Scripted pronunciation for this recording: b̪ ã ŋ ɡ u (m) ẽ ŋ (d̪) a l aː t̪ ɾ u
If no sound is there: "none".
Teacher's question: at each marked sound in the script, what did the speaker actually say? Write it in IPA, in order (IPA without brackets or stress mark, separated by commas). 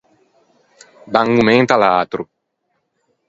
m, t̪